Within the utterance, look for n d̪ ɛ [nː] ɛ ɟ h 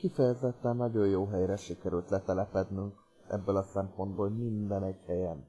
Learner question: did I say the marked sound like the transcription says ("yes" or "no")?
no